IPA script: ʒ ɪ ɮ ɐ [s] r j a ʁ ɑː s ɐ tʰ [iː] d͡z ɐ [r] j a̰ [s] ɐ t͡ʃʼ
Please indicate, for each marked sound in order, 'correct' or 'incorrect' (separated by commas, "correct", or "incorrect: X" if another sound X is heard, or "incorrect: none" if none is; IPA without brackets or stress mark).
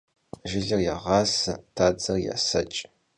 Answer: incorrect: none, incorrect: aː, correct, correct